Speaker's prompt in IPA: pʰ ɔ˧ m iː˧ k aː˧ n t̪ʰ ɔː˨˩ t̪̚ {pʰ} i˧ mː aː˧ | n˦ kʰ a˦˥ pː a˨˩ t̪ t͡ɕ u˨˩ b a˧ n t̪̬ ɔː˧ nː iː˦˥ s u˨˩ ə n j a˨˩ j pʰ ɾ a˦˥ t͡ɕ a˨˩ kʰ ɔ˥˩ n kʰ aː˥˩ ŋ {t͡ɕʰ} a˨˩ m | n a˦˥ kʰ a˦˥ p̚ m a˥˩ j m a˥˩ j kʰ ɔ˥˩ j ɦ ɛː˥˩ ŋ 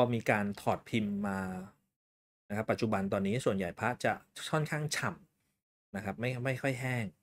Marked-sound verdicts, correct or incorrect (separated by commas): correct, correct